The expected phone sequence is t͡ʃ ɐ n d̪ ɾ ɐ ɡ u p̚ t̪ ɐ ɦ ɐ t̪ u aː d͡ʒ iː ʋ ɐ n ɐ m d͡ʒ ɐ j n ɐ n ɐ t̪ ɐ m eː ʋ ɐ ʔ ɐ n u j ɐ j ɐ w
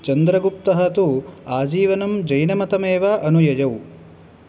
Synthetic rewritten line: t͡ʃ ɐ n d̪ ɾ ɐ ɡ u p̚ t̪ ɐ ɦ ɐ t̪ u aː d͡ʒ iː ʋ ɐ n ɐ m d͡ʒ ɐ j n ɐ m ɐ t̪ ɐ m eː ʋ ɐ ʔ ɐ n u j ɐ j ɐ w